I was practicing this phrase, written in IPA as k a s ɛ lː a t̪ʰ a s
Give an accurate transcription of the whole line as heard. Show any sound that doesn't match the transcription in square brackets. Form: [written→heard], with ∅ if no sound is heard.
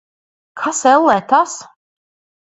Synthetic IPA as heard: [k→kʰ] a s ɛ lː [a→ɛ] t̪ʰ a s